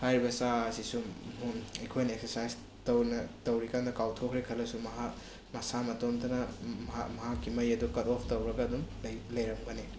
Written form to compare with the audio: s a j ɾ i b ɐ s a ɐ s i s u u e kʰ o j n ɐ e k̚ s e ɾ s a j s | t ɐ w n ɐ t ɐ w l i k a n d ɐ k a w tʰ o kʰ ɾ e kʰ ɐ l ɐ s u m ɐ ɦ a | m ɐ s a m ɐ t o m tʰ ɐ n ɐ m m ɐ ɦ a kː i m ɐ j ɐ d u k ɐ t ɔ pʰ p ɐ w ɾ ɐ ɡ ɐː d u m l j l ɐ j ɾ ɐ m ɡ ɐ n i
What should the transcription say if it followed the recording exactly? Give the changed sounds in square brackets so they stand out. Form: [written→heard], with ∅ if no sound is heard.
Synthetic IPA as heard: [s→h] a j ɾ i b ɐ s a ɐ s i s u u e kʰ o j n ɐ e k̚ s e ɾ s a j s | t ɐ w n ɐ t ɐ w [l→ɾ] i k a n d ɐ k a w tʰ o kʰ ɾ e kʰ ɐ l ɐ s u m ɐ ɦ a | m ɐ s a m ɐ t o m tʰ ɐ n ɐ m m ɐ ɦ a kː i m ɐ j ɐ d u k ɐ t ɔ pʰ [p→t] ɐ w ɾ ɐ ɡ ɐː d u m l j l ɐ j ɾ ɐ m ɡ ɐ n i